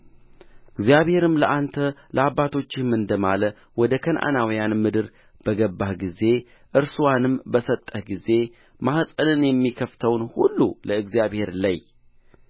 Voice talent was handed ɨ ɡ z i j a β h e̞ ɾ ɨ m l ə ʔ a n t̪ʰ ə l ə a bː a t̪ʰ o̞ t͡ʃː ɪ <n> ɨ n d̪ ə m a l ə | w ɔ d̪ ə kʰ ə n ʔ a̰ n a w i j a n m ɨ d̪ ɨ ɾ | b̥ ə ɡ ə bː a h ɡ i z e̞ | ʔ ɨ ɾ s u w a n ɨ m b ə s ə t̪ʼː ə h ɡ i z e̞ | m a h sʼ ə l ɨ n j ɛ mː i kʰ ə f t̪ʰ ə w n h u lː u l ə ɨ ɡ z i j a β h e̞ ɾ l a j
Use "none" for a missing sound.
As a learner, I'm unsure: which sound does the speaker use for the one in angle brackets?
m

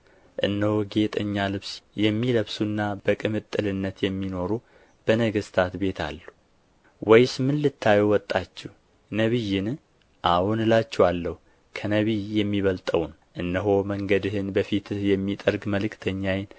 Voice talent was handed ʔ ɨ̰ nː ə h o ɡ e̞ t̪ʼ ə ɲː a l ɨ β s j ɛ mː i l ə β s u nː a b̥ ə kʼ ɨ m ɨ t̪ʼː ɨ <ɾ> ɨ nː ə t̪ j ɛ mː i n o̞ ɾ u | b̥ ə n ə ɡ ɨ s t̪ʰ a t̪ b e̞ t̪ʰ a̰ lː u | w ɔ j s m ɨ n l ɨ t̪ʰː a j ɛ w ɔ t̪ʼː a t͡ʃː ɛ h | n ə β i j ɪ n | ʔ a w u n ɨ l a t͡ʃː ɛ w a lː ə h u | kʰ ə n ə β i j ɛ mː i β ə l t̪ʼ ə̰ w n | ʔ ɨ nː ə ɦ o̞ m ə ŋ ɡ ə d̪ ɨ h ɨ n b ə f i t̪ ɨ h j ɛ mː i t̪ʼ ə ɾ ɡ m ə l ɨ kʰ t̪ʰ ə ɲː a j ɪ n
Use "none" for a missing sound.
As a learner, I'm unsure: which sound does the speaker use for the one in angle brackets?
l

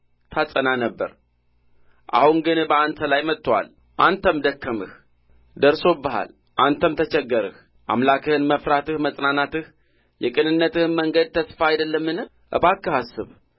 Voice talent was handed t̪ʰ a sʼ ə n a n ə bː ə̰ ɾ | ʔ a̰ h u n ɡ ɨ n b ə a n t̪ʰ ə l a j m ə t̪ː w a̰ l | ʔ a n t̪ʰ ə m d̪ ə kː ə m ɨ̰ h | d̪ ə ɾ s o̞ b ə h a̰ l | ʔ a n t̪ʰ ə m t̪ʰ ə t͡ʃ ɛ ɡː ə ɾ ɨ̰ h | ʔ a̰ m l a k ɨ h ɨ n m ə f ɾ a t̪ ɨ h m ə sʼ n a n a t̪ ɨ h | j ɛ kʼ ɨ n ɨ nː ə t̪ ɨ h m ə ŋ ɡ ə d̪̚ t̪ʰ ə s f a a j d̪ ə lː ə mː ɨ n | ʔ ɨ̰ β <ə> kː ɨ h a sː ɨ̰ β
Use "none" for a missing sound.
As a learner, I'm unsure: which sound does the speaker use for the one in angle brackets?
a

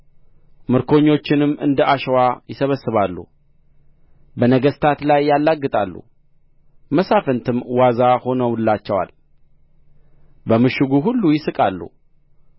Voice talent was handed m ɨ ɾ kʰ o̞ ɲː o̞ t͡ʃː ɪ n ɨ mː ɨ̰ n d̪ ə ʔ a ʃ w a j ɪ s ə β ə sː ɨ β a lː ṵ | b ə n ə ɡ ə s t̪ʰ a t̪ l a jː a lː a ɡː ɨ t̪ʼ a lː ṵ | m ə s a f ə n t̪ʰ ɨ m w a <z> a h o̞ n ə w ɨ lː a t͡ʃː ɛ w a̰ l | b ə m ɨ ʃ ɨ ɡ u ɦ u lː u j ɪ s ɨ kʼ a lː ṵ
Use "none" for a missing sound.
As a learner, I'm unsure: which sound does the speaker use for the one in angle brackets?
z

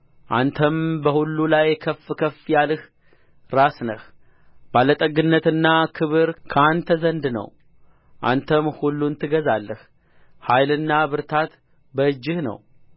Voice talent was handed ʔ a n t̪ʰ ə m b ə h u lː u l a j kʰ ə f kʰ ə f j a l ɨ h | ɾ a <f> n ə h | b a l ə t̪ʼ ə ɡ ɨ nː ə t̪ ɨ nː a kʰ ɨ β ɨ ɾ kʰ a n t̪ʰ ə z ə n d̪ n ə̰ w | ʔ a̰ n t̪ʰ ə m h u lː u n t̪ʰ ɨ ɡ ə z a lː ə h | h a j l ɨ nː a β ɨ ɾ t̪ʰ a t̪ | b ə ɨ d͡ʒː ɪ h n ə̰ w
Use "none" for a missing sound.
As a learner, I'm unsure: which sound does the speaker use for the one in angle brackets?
s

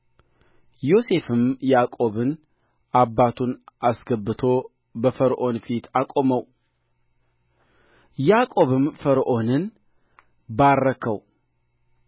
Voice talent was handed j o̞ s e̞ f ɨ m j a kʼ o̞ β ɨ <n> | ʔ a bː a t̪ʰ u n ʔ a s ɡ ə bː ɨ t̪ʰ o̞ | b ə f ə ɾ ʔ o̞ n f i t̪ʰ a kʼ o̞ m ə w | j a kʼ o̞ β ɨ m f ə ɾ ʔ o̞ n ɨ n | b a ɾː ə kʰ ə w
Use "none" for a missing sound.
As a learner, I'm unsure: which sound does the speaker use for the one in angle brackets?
n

